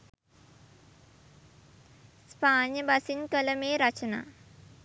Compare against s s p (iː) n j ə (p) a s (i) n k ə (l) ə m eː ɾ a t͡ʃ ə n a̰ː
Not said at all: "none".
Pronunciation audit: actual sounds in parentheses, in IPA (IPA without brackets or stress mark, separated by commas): aː, b, i, l